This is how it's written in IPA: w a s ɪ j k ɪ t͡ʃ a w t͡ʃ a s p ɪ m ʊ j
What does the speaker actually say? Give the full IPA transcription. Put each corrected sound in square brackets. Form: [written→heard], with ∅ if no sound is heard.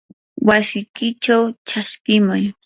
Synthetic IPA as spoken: w a s ɪ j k ɪ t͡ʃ a w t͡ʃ a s [p→k] ɪ m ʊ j